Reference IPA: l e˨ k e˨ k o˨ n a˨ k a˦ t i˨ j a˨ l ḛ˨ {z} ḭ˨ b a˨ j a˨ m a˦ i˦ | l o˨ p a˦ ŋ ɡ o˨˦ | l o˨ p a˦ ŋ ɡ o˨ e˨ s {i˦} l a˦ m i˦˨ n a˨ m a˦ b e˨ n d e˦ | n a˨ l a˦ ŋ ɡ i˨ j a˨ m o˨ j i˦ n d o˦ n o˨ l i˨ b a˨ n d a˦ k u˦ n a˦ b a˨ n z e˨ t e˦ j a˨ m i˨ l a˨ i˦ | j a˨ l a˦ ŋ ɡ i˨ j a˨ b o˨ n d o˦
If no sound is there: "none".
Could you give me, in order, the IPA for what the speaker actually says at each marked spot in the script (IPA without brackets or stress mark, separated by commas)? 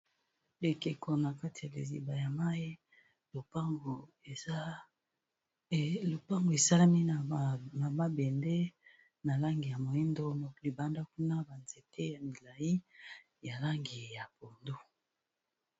z, a˦